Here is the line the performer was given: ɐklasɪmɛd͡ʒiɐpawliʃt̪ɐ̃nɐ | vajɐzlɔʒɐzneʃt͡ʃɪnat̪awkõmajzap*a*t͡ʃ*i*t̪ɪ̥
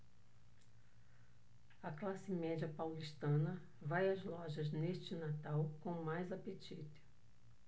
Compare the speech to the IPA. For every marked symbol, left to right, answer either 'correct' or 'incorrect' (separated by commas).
incorrect, correct